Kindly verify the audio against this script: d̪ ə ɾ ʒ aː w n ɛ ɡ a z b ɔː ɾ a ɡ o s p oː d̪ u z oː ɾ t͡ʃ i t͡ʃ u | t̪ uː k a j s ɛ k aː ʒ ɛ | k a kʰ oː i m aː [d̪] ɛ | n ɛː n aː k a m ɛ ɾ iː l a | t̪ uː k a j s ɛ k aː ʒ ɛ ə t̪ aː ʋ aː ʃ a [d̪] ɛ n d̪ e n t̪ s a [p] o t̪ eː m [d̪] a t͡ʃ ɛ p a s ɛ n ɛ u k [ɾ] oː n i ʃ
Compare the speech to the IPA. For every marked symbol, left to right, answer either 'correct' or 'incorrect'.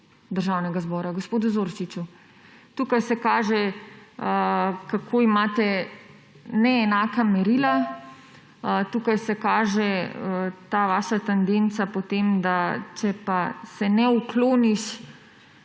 incorrect, incorrect, correct, correct, incorrect

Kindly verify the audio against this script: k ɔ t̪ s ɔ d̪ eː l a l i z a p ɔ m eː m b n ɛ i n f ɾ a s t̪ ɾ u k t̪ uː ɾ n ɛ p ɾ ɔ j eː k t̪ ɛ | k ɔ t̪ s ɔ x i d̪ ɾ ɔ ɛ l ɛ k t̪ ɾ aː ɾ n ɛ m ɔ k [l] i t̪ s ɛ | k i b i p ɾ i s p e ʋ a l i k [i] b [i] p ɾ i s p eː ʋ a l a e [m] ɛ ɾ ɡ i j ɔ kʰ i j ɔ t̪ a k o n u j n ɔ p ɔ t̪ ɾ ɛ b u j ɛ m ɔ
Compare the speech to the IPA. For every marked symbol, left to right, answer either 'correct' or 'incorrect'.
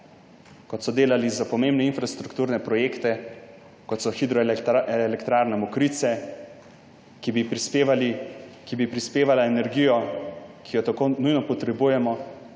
incorrect, correct, correct, incorrect

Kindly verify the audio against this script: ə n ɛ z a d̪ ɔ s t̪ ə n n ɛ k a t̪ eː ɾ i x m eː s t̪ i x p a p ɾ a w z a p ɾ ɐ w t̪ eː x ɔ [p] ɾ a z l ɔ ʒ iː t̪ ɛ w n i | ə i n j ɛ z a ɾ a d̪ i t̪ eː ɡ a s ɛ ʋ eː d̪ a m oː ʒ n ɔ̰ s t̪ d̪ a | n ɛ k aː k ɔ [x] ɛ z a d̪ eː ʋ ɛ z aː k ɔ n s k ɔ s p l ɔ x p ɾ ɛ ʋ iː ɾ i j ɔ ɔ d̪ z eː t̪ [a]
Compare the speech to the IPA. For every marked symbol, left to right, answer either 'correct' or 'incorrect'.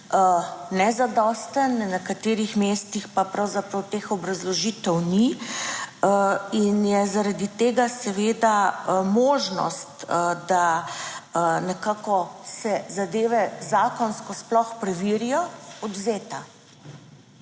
incorrect, incorrect, correct

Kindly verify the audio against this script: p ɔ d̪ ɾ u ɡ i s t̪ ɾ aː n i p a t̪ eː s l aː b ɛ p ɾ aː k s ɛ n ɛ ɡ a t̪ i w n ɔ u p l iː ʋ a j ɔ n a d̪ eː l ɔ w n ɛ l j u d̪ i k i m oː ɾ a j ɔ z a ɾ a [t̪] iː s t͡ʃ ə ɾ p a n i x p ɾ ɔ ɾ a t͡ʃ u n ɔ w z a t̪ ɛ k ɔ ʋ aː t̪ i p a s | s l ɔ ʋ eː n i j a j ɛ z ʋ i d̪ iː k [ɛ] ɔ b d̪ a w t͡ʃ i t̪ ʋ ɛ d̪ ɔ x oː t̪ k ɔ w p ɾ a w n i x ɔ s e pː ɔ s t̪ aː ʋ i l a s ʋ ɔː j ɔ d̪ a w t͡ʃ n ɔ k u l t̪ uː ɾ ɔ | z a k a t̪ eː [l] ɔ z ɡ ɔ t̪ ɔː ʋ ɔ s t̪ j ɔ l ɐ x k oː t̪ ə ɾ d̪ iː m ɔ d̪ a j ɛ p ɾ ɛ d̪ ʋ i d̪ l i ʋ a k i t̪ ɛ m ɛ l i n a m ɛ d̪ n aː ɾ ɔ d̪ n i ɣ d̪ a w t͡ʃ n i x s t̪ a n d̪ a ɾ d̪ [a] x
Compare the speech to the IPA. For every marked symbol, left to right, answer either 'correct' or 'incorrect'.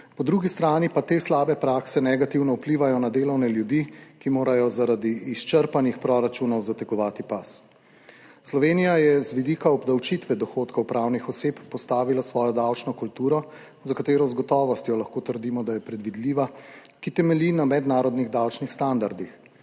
incorrect, incorrect, incorrect, incorrect

